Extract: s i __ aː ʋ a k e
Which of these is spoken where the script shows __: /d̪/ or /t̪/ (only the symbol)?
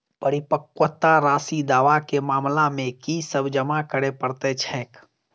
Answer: d̪